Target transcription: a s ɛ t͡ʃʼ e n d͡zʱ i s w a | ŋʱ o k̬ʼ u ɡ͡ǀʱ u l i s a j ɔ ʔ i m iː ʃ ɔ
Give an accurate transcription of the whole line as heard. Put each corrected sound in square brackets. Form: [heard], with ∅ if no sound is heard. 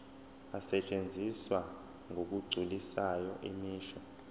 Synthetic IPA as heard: a s ɛ t͡ʃʼ e n d͡zʱ i s w a | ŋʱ o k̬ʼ u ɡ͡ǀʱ u l i s a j ɔ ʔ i m iː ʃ ɔ

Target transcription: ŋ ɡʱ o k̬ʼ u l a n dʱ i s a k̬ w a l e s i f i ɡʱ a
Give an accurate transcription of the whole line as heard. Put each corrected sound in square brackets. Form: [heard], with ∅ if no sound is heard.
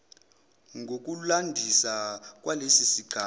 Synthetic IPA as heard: ŋ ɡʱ o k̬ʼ u l a n dʱ i s a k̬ w a l e s i [s] i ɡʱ a

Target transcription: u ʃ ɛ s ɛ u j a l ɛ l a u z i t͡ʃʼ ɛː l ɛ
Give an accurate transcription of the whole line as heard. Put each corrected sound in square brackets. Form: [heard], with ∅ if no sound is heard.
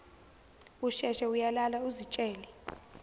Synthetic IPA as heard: u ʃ ɛ [ʃ] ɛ u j a l [a] l a u z i t͡ʃʼ ɛː l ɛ

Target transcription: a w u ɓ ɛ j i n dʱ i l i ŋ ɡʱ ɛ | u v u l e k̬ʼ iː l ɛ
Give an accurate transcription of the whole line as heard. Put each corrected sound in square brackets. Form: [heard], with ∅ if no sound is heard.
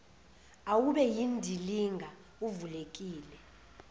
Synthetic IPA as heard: a w u ɓ ɛ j i n dʱ i l i ŋ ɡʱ [a] | u v u l e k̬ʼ iː l ɛ

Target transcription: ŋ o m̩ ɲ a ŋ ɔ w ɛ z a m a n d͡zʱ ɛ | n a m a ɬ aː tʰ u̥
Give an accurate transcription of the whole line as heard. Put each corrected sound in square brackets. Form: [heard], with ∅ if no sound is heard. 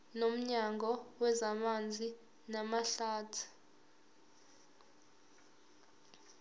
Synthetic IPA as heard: [n] o m̩ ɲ a ŋ ɔ w ɛ z a m a n d͡zʱ [i] | n a m a ɬ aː tʰ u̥

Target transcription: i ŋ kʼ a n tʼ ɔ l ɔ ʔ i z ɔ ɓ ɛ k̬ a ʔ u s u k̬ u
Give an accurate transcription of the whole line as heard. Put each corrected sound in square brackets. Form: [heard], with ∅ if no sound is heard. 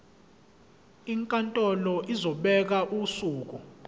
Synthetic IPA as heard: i ŋ kʼ a n tʼ ɔ l ɔ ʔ i z ɔ ɓ ɛ k̬ a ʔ u s [uː] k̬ u

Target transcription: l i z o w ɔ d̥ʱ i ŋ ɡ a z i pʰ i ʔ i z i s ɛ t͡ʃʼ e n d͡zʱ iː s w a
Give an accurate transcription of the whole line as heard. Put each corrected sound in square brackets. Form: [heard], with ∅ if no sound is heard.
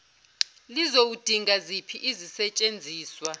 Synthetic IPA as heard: l i z o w [u] d̥ʱ i ŋ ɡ a z i pʰ i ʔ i z i s ɛ t͡ʃʼ e n d͡zʱ iː s w a

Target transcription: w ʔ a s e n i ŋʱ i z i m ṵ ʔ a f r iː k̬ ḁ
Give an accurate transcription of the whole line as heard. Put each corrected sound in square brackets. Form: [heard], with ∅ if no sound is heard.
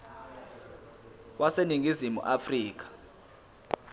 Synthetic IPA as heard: w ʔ a s e n i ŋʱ i z i m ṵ ʔ a f r iː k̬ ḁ

